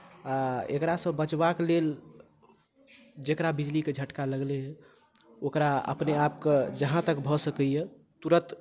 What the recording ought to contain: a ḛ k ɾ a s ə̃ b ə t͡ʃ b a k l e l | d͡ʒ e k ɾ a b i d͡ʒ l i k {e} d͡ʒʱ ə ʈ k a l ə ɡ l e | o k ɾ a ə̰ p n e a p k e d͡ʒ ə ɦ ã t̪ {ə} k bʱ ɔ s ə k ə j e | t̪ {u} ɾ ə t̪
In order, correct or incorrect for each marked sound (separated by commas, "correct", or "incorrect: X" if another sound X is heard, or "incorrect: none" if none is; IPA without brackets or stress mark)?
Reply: correct, correct, correct